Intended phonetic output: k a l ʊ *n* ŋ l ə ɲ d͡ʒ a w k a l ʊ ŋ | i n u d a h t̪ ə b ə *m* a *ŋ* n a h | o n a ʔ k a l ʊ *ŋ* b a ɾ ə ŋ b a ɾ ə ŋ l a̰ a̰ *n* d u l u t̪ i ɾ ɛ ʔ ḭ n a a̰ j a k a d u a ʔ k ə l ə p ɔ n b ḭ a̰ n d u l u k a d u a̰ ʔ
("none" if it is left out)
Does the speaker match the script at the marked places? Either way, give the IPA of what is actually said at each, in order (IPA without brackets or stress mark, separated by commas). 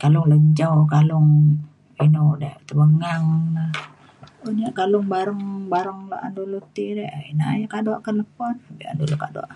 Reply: none, ŋ, ŋ, ŋ, n